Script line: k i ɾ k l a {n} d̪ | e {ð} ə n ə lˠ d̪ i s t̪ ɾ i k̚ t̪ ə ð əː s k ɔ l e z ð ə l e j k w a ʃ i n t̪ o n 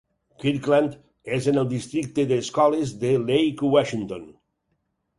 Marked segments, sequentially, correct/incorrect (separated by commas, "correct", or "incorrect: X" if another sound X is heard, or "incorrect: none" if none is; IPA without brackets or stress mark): correct, incorrect: z